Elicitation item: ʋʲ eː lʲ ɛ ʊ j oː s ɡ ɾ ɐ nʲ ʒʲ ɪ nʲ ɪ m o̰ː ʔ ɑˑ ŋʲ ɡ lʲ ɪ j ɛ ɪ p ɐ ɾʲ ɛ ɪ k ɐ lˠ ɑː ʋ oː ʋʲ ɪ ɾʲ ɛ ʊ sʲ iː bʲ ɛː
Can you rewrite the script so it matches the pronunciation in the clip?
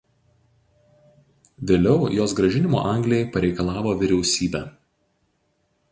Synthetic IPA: ʋʲ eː lʲ ɛ ʊ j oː s ɡ ɾ ɐ ʒʲ ɪ nʲ ɪ m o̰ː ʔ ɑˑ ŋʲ ɡ lʲ ɪ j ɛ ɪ p ɐ ɾʲ ɛ ɪ k ɐ lˠ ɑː ʋ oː ʋʲ ɪ ɾʲ ɛ ʊ sʲ iː bʲ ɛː

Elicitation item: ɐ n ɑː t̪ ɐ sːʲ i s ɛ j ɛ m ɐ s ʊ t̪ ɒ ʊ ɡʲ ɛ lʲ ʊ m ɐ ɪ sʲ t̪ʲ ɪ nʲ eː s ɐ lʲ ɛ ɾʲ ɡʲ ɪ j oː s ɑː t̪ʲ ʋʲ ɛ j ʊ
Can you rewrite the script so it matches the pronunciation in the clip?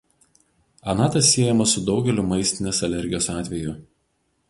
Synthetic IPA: ɐ n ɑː t̪ ɐ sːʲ i ɛ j ɛ m ɐ s ʊ d̪ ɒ ʊ ɡʲ ɛ lʲ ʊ m ɐ ɪ sʲ t̪ʲ ɪ nʲ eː s ɐ lʲ ɛ ɾʲ ɡʲ ɪ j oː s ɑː t̪ʲ ʋʲ ɛ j ʊ

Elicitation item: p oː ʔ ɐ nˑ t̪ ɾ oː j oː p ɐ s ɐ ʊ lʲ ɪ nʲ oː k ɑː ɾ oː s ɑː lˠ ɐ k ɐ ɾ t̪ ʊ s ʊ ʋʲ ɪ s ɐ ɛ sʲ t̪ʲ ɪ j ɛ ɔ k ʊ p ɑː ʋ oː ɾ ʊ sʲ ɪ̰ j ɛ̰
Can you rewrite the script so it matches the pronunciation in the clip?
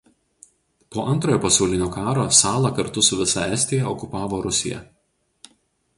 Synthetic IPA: p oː ʔ ɐ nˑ t̪ ɾ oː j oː p ɐ s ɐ ʊ lʲ ɪ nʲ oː k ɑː ɾ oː s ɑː lˠ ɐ k ɐ ɾ t̪ ʊ s ʊ ʋʲ ɪ s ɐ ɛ sʲ t̪ʲ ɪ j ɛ ɔ k ʊ p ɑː ʋ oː ɾ ʊ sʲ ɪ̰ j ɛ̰

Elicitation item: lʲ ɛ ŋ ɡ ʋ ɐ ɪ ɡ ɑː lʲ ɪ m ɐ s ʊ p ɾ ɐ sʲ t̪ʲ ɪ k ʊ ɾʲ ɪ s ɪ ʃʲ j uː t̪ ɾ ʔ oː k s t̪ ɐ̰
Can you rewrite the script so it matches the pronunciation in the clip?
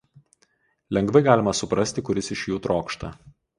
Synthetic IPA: lʲ ɛ ŋ ɡ ʋ ɐ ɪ ɡ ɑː lʲ ɪ m ɐ s ʊ p ɾ ɐ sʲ t̪ʲ ɪ k ʊ ɾʲ ɪ s ɪ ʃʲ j uː t̪ ɾ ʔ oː k ʃ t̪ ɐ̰

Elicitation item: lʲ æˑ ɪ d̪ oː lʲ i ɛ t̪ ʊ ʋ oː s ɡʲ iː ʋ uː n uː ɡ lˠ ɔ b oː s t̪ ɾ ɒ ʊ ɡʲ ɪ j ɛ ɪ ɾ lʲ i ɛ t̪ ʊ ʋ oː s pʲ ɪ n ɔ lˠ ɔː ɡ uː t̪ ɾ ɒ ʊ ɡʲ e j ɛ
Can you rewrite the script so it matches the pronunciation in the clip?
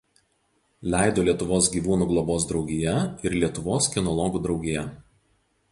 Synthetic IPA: lʲ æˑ ɪ d̪ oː lʲ i ɛ t̪ ʊ ʋ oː s ɡʲ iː ʋ uː n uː ɡ lˠ ɔ b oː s d̪ ɾ ɒ ʊ ɡʲ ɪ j ɛ ɪ ɾ lʲ i ɛ t̪ ʊ ʋ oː s kʲ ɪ n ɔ lˠ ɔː ɡ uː d̪ ɾ ɒ ʊ ɡʲ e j ɛ

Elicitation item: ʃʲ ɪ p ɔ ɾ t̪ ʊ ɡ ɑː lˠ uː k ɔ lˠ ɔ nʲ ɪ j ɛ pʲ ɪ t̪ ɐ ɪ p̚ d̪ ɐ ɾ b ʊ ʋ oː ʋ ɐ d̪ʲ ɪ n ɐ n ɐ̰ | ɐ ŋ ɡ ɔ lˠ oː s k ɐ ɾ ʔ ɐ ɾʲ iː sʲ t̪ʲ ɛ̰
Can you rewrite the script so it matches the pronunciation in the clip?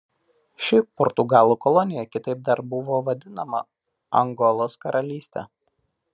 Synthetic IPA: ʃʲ ɪ p ɔ ɾ t̪ ʊ ɡ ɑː lˠ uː k ɔ lˠ ɔ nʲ ɪ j ɛ kʲ ɪ t̪ ɐ ɪ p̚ d̪ ɐ ɾ b ʊ ʋ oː ʋ ɐ d̪ʲ ɪ n ɐ m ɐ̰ | ɐ ŋ ɡ ɔ lˠ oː s k ɐ ɾ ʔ ɐ lʲ iː sʲ t̪ʲ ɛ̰

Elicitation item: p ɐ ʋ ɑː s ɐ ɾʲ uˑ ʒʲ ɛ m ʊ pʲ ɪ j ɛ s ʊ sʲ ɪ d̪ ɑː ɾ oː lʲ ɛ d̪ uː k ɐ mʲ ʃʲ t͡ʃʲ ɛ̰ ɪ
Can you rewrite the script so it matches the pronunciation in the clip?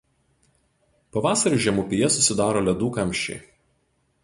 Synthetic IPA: p ɐ ʋ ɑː s ɐ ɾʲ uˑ ʒʲ ɛ m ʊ pʲ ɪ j ɛ s ʊ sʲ ɪ d̪ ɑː ɾ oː lʲ ɛ d̪ uː k ɐ mʲ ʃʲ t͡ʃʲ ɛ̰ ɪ

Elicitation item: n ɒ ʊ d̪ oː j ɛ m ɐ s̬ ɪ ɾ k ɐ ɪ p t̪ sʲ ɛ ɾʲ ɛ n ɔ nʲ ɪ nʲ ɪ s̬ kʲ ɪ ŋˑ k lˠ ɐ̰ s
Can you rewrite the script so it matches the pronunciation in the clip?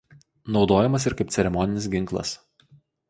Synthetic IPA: n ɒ ʊ d̪ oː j ɛ m ɐ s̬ ɪ ɾ k ɐ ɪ p t̪ sʲ ɛ ɾʲ ɛ m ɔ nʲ ɪ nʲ ɪ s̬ ɡʲ ɪ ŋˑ k lˠ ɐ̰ s

